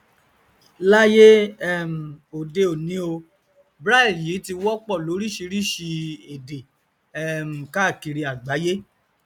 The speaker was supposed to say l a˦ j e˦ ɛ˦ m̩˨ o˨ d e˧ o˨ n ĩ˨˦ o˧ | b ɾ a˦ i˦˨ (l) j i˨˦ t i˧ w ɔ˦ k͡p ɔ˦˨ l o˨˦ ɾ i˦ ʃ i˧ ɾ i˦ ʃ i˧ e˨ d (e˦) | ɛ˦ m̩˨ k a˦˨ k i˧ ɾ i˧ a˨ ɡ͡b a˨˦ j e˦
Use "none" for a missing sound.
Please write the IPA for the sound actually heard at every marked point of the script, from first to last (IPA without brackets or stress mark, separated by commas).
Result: l, e˨